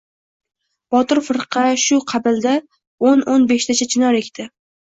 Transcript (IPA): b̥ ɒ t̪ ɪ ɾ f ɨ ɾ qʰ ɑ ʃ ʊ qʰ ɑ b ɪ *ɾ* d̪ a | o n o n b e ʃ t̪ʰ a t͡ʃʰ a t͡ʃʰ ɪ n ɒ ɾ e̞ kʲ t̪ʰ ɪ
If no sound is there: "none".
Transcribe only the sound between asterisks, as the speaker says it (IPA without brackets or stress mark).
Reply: l